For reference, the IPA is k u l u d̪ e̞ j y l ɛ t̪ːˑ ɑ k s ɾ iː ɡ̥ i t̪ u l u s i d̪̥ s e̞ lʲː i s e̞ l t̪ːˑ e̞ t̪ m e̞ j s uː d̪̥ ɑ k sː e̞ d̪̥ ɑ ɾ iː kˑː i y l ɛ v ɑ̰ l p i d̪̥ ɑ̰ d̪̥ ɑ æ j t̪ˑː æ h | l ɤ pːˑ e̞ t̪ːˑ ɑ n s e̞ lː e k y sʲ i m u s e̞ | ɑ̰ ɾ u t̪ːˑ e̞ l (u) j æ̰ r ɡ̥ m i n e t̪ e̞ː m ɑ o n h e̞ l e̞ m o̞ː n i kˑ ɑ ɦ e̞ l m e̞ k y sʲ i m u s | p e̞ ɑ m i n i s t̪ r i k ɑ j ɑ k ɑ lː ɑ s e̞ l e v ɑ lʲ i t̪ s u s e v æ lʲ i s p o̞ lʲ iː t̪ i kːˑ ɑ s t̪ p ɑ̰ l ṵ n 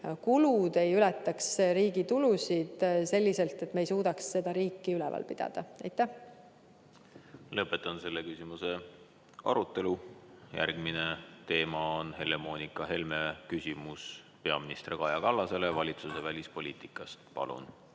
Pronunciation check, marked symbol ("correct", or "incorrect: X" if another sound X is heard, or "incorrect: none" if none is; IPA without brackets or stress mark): correct